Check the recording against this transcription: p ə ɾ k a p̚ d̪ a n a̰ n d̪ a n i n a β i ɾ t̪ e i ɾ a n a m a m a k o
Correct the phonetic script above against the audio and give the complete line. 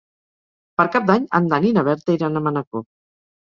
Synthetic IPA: p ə ɾ k a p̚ d̪ a ɲ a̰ n d̪ a n i n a β ɛ ɾ t̪ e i ɾ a n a m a n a k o